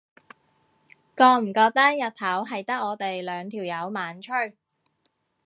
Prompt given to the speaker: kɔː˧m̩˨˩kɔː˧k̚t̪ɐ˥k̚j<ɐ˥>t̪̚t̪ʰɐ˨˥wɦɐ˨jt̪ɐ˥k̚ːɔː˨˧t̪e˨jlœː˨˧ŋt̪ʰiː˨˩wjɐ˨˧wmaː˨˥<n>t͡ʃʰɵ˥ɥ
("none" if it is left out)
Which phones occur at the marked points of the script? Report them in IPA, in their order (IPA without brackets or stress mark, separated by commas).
ɐ˨, n